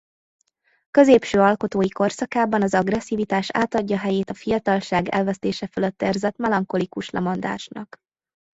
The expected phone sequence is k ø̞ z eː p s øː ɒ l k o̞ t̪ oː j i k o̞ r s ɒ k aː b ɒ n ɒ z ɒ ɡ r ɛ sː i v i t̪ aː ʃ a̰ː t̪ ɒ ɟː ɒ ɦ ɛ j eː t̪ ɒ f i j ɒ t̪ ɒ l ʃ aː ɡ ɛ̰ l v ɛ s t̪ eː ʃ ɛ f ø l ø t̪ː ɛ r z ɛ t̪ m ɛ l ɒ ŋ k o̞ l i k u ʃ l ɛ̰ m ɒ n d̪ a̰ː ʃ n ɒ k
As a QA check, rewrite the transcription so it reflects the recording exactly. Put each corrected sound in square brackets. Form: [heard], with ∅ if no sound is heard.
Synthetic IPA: k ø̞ z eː p [ʃ] øː ɒ l k o̞ t̪ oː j i k o̞ r s ɒ k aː b ɒ n ɒ z ɒ ɡ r ɛ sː i v i t̪ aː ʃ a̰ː t̪ ɒ ɟː ɒ ɦ ɛ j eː t̪ ɒ f i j ɒ t̪ ɒ l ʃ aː ɡ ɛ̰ l v ɛ s t̪ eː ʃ ɛ f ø l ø t̪ː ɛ r z ɛ t̪ m ɛ l ɒ ŋ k o̞ l i k u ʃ l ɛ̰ m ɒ n d̪ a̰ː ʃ n ɒ k